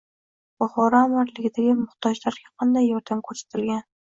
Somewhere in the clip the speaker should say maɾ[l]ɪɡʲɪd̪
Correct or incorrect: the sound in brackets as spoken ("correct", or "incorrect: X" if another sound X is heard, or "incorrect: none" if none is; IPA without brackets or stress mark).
correct